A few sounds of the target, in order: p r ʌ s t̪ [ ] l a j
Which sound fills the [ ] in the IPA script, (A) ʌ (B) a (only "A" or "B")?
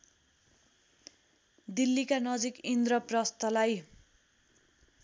A